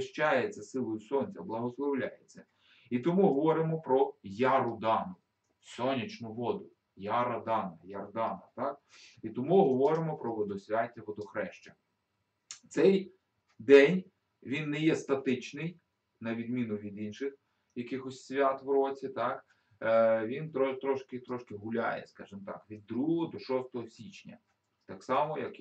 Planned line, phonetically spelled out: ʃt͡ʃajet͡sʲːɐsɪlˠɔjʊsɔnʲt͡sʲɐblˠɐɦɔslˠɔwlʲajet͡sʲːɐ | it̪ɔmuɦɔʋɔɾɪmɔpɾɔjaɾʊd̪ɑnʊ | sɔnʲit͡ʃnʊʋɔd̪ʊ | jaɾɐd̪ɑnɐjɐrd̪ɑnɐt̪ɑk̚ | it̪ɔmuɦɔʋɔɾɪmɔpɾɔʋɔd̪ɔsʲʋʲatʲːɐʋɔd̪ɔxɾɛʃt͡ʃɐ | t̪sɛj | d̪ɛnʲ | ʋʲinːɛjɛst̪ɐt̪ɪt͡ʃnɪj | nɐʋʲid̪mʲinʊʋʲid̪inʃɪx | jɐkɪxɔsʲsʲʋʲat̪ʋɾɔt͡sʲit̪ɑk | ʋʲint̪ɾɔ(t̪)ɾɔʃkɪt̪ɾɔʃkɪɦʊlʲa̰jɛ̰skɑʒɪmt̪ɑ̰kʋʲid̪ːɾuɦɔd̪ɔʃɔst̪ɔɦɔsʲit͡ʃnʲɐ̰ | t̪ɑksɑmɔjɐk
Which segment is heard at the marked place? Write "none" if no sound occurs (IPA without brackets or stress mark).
t̪